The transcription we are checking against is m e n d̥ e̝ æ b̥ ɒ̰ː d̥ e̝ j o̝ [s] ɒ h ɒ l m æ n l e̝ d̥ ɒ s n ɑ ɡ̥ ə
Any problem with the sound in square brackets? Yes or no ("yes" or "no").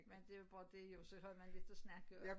no